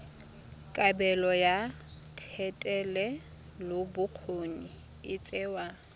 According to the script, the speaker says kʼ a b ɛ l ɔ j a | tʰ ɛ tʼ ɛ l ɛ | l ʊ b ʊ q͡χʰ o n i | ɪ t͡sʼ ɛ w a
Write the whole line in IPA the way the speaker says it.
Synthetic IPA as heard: kʼ a b ɛ l ɔ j a | tʰ ɛ tʼ ɛ l ɛ | l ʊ b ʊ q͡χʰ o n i | ɪ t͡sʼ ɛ w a